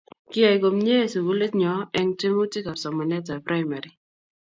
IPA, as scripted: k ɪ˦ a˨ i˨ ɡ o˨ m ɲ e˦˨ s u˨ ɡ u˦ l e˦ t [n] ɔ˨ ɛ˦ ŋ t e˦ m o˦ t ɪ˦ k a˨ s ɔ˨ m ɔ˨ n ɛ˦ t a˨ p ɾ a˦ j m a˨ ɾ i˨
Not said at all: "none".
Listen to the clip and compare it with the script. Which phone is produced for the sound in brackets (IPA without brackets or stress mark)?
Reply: ɲ